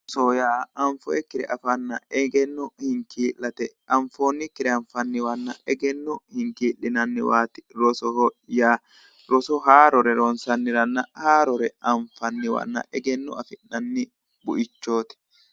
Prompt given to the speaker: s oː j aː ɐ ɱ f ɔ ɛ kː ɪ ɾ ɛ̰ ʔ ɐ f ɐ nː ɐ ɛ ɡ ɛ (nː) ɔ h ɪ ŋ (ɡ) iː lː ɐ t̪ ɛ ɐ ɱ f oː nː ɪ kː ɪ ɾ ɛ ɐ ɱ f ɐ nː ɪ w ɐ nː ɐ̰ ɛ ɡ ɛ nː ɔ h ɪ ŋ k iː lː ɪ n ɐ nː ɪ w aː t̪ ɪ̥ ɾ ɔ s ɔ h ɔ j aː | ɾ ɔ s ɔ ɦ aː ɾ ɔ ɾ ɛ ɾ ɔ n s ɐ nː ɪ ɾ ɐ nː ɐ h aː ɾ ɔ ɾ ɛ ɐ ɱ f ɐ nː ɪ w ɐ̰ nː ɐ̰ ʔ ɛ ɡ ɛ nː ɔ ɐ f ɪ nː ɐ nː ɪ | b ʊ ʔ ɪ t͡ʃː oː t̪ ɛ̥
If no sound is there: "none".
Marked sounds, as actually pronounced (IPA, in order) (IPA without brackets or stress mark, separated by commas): nː, k